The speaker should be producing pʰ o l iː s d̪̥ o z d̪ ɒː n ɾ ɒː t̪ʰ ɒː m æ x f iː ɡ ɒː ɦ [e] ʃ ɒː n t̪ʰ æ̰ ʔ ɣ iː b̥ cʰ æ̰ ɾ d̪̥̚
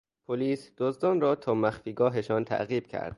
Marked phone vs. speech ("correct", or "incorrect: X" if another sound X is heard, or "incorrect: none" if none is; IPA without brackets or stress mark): correct